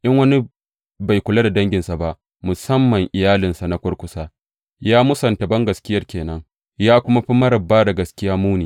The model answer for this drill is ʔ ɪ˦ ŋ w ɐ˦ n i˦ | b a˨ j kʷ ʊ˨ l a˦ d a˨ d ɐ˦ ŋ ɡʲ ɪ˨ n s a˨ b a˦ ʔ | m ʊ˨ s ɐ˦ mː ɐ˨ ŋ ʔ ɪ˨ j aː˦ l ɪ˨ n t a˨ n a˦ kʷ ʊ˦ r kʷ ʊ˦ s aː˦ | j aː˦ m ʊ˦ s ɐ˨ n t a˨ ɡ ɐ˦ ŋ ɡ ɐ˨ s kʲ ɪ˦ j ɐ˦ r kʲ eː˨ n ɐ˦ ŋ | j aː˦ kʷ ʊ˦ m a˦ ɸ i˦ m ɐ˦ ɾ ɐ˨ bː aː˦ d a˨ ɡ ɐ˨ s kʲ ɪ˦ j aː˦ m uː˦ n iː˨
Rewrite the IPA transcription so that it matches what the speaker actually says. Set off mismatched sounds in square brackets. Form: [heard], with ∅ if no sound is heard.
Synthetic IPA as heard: ʔ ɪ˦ ŋ w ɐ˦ n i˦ | b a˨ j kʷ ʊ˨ l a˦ d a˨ d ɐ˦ ŋ ɡʲ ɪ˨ n s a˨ b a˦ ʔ | m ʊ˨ s ɐ˦ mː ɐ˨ ŋ ʔ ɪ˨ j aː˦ l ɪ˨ n [s] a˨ n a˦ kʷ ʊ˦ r kʷ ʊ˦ s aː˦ | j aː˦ m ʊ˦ s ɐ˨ n t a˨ [b] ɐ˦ ŋ ɡ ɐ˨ s kʲ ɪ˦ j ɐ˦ r kʲ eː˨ n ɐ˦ ŋ | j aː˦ kʷ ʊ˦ m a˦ ɸ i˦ m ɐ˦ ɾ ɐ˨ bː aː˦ d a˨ ɡ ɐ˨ s kʲ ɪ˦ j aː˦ m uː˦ n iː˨

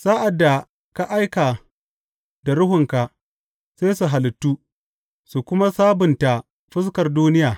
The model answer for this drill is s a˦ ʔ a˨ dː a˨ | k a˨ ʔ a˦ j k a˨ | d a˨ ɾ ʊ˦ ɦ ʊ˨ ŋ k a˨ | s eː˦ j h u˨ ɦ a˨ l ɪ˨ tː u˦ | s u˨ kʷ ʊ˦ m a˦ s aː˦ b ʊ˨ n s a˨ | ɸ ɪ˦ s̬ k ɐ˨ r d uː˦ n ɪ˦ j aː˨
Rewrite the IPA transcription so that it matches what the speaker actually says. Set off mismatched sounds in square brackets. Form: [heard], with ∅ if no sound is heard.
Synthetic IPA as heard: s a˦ ʔ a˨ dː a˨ | k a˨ ʔ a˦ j k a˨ | d a˨ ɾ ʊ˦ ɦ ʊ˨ ŋ k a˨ | s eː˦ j [s] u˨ ɦ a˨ l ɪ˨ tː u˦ | s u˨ kʷ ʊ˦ m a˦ s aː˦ b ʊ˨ n [t] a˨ | ɸ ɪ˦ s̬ k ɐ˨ r d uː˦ n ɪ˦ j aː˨

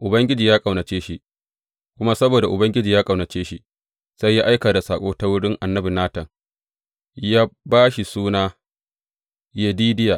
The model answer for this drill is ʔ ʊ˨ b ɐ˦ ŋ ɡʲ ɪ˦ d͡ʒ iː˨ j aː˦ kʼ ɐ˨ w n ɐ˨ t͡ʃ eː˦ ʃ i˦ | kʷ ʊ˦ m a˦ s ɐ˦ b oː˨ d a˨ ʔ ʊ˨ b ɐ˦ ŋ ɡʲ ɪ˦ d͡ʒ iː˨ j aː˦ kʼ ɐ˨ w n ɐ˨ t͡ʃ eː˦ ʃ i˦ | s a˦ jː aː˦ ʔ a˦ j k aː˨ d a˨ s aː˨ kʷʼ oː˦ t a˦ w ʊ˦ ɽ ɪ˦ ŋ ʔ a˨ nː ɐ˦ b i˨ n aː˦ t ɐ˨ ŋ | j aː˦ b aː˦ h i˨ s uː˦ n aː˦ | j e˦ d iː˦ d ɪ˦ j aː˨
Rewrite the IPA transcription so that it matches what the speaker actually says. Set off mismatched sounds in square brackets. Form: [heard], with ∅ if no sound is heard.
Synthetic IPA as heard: ʔ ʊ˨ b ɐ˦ ŋ ɡʲ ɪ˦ d͡ʒ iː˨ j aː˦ kʼ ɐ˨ w n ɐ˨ t͡ʃ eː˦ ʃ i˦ | kʷ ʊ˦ m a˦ s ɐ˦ b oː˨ d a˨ ʔ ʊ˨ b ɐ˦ ŋ ɡʲ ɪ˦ d͡ʒ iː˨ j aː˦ kʼ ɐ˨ w n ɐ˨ t͡ʃ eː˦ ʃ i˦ | s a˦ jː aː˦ ʔ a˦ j k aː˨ d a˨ s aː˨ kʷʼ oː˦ t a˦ w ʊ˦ ɽ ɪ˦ ŋ ʔ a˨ nː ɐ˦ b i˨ n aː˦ t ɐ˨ ŋ | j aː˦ b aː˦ [ʃ] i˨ s uː˦ n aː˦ | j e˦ d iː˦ d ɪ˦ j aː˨

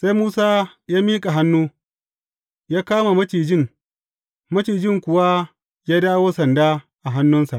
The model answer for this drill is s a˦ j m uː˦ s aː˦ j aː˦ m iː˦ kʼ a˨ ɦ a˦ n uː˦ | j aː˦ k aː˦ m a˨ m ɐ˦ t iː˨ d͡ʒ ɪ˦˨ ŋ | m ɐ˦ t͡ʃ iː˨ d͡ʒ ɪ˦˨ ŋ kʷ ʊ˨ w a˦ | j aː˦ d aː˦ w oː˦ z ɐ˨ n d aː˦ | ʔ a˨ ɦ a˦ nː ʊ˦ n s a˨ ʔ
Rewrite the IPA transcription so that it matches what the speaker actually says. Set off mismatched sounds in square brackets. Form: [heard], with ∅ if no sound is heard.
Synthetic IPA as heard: s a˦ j m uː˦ s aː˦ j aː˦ m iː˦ kʼ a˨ ɦ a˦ [nː] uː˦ | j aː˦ k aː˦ m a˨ m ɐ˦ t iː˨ d͡ʒ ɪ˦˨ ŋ | m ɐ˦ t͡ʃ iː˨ d͡ʒ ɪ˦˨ ŋ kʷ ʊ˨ w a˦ | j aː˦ d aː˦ w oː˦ [s] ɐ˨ n d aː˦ | ʔ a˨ ɦ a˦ nː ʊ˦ n s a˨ ʔ

